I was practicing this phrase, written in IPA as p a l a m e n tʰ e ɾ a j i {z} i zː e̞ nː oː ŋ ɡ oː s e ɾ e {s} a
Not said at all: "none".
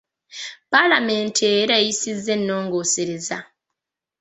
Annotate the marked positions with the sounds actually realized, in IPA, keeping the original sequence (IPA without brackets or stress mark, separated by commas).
s, z